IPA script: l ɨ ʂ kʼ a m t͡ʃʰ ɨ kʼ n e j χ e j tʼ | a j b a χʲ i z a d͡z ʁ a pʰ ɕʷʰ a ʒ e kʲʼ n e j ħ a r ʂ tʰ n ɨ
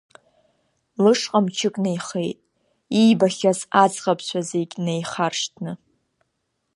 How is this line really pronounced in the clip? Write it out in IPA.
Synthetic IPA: l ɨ ʂ qʼ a m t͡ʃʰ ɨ kʼ n e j χ e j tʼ | i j b a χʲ a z a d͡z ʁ a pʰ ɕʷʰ a z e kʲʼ n e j χ a r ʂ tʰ n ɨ